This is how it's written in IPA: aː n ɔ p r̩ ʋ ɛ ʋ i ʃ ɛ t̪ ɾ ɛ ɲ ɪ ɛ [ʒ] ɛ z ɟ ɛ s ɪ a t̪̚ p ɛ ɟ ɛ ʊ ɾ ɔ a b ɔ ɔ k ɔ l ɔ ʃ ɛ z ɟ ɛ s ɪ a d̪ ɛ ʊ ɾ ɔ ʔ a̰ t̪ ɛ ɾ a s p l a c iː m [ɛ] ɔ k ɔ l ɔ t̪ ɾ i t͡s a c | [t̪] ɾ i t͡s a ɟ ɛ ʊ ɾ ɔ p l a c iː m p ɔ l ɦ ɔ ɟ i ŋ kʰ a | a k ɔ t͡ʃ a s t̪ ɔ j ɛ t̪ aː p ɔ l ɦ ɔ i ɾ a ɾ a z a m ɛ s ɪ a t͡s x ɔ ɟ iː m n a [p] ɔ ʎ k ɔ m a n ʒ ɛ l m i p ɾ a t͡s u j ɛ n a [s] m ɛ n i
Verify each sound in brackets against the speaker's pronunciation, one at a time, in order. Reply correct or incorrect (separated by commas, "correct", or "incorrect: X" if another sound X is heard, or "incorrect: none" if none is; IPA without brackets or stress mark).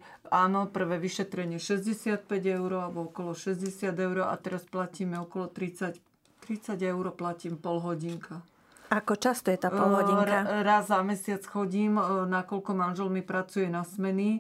incorrect: ʃ, correct, correct, incorrect: k, correct